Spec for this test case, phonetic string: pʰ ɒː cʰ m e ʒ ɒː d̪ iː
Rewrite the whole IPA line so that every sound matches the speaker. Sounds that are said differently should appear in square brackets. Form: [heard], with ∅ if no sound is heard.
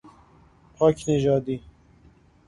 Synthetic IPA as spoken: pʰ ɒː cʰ [n] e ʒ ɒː d̪ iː